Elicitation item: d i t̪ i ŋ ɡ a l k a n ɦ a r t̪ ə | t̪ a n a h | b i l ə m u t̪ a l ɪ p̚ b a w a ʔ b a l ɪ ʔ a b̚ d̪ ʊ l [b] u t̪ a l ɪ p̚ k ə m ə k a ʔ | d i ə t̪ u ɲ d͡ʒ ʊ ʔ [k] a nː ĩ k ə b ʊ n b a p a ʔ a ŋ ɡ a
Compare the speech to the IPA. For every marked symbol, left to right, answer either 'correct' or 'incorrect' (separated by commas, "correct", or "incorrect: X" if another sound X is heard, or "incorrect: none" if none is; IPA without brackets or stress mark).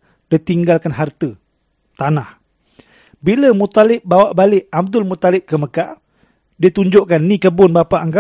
incorrect: m, correct